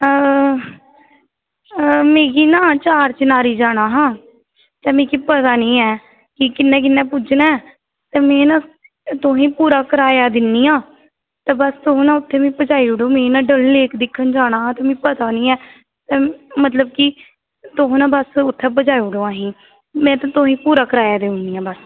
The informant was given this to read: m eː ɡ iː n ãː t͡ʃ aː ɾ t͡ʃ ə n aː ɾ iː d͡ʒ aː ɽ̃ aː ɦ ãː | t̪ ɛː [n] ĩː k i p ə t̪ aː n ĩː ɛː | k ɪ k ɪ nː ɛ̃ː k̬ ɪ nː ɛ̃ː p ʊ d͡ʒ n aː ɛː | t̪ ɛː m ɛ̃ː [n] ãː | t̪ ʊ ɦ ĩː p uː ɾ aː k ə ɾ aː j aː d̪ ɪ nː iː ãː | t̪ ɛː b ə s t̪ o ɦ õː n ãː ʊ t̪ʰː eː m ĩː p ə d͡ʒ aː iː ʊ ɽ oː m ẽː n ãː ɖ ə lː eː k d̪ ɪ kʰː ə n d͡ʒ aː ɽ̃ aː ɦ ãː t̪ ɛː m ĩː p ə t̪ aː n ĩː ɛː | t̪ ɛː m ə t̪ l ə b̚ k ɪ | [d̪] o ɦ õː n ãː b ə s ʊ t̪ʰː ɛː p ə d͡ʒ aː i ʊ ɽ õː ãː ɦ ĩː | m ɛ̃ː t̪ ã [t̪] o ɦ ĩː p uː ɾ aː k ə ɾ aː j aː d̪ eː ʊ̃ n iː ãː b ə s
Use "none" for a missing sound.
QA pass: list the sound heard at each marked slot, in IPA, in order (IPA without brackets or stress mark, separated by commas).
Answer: m, n, t̪, t̪